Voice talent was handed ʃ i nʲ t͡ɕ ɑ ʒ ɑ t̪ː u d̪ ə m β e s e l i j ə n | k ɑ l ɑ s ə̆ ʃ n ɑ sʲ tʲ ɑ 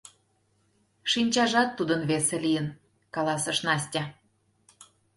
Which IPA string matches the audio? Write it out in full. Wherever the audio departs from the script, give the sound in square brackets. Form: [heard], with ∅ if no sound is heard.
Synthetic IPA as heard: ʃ i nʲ t͡ɕ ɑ ʒ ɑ t̪ː u d̪ ə [n] β e s e l i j ə n | k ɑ l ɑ s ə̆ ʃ n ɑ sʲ tʲ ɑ